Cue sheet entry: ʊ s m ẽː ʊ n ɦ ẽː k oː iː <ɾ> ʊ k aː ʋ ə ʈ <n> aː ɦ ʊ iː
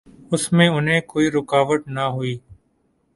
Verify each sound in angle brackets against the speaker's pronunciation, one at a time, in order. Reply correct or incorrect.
correct, correct

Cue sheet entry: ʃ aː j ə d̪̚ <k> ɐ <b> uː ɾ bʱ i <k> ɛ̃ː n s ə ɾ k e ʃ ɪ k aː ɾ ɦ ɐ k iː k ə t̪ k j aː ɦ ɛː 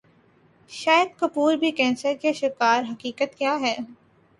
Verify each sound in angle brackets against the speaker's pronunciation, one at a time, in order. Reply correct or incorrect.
correct, incorrect: p, correct

